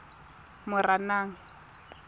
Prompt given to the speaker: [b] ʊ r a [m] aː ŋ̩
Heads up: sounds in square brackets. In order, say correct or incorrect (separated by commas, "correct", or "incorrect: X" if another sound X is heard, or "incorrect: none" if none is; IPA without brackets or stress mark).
incorrect: m, incorrect: n